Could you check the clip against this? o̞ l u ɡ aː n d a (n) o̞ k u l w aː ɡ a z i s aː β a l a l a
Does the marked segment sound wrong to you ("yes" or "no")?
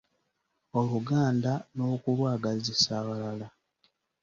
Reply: no